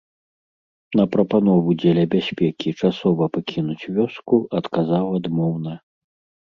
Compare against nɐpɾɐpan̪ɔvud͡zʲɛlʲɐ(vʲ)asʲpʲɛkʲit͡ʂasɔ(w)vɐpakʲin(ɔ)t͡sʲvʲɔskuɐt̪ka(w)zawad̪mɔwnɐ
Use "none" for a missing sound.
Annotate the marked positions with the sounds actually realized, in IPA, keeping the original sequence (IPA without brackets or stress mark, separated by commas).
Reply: bʲ, none, u, none